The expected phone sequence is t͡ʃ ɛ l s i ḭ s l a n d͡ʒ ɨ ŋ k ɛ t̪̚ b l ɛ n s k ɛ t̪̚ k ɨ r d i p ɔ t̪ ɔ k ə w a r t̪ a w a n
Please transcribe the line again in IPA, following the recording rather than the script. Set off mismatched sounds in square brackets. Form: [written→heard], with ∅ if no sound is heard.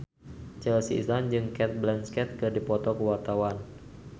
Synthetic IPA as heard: t͡ʃ ɛ l s i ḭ s l a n d͡ʒ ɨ ŋ k ɛ t̪̚ b l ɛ n s k ɛ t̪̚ k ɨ r d i p ɔ t̪ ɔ k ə w a r t̪ a w a n